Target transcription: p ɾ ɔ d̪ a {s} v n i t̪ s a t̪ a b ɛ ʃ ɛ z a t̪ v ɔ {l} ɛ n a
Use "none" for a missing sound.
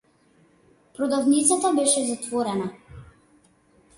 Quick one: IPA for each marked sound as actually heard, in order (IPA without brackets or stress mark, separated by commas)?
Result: none, ɾ